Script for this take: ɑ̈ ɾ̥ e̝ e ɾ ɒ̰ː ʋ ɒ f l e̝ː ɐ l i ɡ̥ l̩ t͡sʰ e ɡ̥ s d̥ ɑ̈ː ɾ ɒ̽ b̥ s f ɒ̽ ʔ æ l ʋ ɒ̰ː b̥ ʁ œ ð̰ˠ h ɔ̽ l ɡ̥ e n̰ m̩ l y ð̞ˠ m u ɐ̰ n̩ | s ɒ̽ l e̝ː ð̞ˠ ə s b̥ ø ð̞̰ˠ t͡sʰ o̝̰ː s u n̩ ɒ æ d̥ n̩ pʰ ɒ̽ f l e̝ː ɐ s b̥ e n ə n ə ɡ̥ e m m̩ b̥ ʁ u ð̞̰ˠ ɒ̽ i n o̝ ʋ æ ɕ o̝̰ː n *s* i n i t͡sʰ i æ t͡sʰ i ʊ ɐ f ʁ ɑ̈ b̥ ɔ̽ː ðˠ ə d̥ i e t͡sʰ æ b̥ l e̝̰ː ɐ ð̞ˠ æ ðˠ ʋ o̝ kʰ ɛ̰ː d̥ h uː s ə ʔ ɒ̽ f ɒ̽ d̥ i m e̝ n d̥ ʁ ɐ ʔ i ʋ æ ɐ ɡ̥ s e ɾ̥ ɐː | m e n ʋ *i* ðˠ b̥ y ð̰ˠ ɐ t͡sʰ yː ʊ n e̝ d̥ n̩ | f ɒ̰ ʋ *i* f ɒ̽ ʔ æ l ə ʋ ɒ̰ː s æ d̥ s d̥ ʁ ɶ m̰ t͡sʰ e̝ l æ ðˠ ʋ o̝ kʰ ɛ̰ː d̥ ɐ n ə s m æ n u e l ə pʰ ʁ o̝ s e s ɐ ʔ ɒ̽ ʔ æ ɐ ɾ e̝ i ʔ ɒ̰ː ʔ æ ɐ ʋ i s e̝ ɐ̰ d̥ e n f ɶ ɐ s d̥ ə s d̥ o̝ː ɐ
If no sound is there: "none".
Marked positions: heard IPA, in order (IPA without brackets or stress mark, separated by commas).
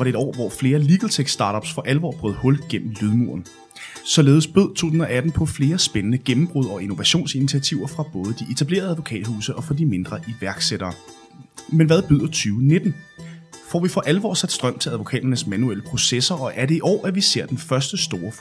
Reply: s, æ, i